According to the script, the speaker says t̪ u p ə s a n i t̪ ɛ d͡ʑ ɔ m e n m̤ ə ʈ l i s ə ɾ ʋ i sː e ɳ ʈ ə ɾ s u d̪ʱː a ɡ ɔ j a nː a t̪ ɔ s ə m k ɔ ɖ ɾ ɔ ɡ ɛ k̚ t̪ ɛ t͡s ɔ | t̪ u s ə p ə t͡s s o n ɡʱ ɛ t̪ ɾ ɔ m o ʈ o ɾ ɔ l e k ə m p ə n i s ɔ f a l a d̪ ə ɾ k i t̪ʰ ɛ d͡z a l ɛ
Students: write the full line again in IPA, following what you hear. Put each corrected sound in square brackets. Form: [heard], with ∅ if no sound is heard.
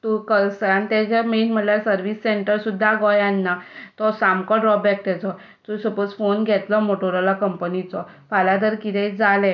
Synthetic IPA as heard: t̪ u [k] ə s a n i t̪ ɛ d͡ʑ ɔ m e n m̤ ə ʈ l [a] s ə ɾ ʋ i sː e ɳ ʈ ə ɾ s u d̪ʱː a ɡ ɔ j a nː a t̪ ɔ s [a] m k ɔ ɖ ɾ ɔ [b] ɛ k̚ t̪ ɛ t͡s ɔ | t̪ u s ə p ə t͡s [f] o n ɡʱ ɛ t̪ [l] ɔ m o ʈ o ɾ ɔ l [a] k ə m p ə n i [t͡s] ɔ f a l a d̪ ə ɾ k i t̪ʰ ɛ d͡z a l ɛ